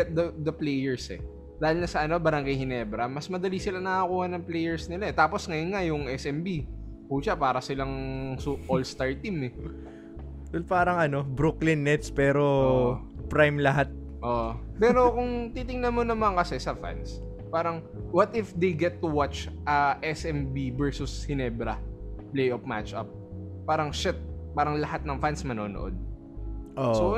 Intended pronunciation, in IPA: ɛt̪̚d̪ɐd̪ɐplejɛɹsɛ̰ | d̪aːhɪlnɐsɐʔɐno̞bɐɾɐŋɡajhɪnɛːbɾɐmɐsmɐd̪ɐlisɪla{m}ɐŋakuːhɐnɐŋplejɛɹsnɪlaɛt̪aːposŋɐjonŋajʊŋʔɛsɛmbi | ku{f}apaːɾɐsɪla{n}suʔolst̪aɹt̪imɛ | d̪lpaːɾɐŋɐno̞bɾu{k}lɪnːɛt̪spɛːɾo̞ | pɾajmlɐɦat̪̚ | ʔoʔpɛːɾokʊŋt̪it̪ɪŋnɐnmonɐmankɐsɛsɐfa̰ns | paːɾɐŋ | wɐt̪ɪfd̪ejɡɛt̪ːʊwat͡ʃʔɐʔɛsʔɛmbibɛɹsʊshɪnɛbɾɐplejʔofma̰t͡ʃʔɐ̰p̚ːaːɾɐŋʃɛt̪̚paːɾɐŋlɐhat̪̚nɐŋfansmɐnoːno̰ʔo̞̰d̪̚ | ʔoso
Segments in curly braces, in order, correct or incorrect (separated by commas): incorrect, incorrect, incorrect, correct